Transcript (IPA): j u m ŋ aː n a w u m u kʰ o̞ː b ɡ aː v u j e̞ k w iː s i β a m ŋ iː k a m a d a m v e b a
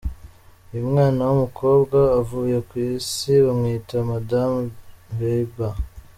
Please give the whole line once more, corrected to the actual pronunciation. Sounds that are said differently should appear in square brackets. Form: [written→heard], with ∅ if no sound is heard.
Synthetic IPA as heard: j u m ŋ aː n a w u m u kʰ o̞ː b ɡ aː v u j e̞ k w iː s i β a m ŋ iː [k→t] a m a d a m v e b a